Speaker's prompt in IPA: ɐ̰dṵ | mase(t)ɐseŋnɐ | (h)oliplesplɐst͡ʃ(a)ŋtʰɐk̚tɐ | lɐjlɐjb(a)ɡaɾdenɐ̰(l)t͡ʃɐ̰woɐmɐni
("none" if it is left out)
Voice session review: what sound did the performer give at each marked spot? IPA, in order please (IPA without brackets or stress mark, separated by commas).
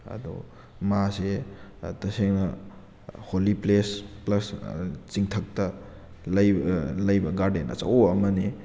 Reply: t, h, i, ɐ, none